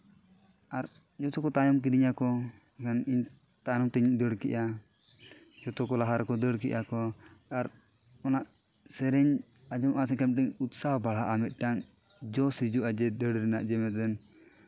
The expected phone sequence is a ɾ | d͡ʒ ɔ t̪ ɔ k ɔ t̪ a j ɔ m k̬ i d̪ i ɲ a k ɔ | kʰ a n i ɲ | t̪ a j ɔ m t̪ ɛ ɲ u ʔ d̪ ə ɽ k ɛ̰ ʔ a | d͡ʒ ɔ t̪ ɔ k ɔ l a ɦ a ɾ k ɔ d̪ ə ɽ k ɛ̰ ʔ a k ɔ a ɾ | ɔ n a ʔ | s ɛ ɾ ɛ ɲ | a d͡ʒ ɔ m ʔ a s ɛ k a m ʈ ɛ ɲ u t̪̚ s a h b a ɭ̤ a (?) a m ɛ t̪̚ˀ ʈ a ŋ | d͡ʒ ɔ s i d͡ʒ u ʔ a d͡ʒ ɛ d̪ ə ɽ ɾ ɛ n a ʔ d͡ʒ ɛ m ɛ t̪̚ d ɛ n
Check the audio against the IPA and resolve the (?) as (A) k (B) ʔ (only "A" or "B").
B